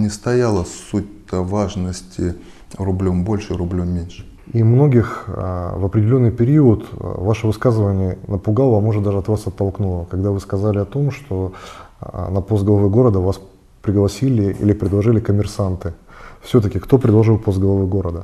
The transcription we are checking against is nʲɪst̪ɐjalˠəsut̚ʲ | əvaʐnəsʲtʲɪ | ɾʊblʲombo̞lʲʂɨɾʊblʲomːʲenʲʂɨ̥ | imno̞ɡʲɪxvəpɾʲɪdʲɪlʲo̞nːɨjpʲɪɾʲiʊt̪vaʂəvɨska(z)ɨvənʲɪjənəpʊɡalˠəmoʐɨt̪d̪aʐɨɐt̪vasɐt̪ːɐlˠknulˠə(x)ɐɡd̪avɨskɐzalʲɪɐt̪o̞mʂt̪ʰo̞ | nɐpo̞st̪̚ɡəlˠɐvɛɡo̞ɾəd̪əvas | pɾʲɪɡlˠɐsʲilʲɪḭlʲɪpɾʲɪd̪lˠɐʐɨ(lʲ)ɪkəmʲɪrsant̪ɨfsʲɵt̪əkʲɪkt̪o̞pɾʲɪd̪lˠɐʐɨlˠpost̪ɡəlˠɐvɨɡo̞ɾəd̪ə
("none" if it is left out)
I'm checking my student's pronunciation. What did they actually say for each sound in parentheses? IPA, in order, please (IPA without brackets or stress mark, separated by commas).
z, k, lʲ